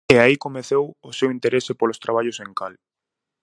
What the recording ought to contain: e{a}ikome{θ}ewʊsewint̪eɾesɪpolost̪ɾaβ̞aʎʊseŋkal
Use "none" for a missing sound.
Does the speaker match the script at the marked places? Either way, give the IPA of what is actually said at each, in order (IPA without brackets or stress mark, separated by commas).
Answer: a, θ